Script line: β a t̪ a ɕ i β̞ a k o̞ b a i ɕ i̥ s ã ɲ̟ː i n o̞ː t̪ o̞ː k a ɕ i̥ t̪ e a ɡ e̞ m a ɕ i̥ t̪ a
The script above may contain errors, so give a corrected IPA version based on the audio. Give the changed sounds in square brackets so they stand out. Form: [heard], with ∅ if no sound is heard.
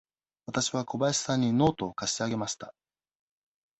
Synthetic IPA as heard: β a t̪ a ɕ i β̞ a k o̞ b a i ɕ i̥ s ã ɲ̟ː i n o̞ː t̪ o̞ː k a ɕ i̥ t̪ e a ɡ e̞ m a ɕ i̥ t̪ a